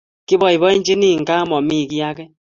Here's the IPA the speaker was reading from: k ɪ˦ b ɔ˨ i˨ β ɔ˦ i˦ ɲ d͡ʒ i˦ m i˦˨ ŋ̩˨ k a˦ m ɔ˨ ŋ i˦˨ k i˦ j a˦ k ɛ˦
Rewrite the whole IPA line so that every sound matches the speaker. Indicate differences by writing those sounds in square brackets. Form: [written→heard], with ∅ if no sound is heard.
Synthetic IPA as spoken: k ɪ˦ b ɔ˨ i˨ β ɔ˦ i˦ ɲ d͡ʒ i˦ [m→n] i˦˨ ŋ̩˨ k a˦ m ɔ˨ [ŋ→m] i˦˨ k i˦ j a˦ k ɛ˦

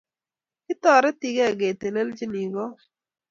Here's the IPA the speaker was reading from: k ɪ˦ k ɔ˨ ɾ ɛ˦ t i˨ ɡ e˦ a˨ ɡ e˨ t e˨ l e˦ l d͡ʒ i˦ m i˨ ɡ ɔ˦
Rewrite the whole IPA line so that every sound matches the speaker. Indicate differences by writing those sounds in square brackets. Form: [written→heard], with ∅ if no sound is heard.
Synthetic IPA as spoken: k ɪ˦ [k→t] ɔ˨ ɾ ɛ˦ t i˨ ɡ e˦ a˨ ɡ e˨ t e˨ l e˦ l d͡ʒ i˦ [m→n] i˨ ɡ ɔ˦

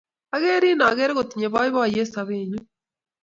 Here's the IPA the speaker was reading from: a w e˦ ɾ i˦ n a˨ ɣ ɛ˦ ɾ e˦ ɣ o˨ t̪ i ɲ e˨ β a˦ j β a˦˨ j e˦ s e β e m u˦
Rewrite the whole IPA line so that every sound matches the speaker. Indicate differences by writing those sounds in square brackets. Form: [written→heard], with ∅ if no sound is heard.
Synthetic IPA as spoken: a [w→ɣ] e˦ ɾ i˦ n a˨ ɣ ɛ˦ ɾ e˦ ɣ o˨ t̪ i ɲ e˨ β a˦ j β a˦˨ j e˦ s [e→a] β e [m→ɲ] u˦

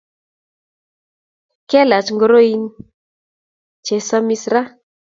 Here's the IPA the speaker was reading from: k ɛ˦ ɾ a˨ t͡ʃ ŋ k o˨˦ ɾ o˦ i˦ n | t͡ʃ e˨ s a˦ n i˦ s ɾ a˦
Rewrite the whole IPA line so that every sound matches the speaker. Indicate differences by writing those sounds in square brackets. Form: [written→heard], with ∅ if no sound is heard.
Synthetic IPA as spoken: k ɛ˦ [ɾ→l] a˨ t͡ʃ ŋ [k→ɡ] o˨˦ ɾ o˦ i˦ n | t͡ʃ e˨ s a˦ [n→m] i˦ s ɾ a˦

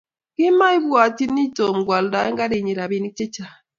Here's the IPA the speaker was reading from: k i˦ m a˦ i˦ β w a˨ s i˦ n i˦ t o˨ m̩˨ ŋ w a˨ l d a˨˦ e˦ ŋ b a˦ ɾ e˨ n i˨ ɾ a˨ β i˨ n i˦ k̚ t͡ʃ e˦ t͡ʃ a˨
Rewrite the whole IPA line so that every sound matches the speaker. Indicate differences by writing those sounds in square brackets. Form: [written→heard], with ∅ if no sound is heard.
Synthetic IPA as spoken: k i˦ m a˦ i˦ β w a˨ [s→t] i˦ n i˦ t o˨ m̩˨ [ŋ→ɡ] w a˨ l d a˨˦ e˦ ŋ [b→ɡ] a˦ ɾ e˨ [n→ɲ] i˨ ɾ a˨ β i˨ n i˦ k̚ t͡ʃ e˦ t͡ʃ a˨

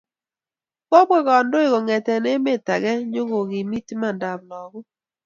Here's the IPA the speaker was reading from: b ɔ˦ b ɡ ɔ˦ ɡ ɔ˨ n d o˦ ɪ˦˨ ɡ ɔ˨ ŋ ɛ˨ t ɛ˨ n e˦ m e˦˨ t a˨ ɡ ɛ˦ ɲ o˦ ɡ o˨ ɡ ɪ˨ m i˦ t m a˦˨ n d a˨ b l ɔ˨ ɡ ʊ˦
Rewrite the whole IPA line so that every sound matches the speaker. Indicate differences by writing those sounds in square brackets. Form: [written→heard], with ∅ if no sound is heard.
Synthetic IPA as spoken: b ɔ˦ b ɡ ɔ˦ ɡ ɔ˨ n d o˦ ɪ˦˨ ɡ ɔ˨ ŋ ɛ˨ t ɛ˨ n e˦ m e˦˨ t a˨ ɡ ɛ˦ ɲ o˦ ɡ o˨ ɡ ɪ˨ m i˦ t m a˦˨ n d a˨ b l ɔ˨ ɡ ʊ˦

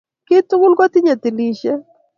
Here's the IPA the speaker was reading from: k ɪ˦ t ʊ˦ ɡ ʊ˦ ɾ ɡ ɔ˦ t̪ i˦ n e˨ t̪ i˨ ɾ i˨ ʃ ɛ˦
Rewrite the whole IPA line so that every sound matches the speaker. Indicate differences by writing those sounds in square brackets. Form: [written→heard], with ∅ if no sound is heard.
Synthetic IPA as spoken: k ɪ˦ t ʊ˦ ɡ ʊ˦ [ɾ→l] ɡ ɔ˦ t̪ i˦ [n→ɲ] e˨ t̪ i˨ [ɾ→l] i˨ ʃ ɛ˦

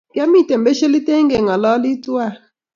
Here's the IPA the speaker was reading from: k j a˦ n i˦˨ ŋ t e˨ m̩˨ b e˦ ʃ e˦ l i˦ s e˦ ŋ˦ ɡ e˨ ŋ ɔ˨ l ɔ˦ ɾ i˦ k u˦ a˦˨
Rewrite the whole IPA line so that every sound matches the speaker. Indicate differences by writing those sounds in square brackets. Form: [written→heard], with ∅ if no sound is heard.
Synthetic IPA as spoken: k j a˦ [n→m] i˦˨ [ŋ→∅] t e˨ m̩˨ b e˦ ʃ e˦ l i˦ [s→t] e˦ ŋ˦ ɡ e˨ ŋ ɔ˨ l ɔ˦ [ɾ→l] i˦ [k→t] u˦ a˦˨

